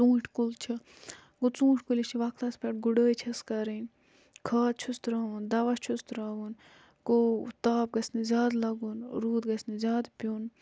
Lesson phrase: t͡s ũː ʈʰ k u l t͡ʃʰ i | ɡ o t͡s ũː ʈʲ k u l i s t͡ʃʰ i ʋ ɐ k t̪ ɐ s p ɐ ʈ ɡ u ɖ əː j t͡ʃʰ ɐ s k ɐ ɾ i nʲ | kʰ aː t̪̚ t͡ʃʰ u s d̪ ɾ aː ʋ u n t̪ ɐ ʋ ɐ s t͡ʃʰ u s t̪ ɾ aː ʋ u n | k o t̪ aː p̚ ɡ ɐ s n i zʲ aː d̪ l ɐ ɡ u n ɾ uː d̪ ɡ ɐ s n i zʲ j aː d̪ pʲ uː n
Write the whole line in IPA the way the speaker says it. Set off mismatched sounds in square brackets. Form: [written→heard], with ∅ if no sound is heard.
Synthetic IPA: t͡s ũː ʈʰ k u l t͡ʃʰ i | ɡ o t͡s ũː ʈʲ k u l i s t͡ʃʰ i ʋ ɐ k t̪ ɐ s p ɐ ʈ ɡ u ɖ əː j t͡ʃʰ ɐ s k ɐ ɾ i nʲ | kʰ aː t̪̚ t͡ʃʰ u s [d̪→t̪] ɾ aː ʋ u n [t̪→d̪] ɐ ʋ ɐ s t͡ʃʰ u s t̪ ɾ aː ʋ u n | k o t̪ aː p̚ ɡ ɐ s n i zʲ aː d̪ l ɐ ɡ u n ɾ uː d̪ ɡ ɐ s n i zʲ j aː d̪ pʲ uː n